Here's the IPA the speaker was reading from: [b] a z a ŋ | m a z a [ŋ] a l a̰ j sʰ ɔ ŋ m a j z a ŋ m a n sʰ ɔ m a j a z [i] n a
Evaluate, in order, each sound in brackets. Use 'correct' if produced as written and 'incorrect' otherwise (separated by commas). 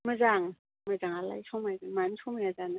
incorrect, correct, incorrect